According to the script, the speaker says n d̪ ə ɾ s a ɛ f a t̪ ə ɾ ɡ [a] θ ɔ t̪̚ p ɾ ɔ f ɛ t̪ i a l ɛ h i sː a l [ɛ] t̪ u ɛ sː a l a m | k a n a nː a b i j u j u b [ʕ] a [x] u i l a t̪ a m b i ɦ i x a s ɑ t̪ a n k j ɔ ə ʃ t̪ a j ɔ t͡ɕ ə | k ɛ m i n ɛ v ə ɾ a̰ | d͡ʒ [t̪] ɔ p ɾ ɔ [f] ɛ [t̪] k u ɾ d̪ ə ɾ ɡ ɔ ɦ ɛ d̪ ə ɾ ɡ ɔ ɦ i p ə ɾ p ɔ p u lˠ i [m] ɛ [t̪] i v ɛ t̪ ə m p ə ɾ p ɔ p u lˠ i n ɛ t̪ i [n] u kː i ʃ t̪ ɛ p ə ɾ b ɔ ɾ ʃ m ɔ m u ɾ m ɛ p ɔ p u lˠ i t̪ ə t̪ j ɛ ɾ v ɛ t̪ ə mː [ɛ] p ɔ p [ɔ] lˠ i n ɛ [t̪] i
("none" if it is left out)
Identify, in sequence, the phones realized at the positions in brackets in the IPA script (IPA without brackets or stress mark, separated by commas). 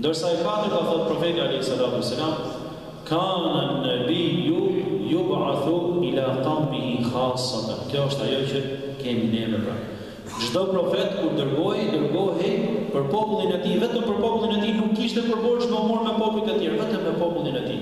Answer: a, a, ʕ, θ, d̪, f, t̪, n, t̪, n, ɛ, u, t̪